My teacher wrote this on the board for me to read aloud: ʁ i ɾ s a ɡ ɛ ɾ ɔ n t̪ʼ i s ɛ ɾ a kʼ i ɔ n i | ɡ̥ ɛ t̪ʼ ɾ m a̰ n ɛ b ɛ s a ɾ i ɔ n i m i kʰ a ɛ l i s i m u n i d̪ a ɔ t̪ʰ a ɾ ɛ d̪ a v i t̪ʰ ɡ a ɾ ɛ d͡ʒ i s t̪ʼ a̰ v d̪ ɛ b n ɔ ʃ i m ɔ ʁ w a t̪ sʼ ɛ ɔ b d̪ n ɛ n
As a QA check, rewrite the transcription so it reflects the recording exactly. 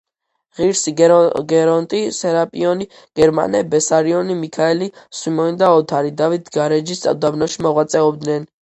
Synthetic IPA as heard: ʁ i ɾ s i ɡ ɛ ɾ ɔ n t̪ʼ i s ɛ ɾ a pʼ i ɔ n i | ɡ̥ ɛ ɾ m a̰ n ɛ b ɛ s a ɾ i ɔ n i m i kʰ a ɛ l i s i m ɔ n i d̪ a ɔ t̪ʰ a ɾ i d̪ a v i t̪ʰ ɡ a ɾ ɛ d͡ʒ i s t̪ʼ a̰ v d̪ a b n ɔ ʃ i m ɔ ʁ w a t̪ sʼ ɛ ɔ b d̪ n ɛ n